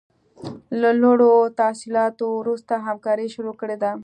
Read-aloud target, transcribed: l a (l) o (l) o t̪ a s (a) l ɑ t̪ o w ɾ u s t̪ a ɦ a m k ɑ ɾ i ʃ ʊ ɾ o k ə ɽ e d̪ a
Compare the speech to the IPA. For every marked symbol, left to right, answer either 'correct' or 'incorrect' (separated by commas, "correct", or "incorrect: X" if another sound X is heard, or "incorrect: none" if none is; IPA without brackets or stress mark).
correct, incorrect: ɽ, incorrect: i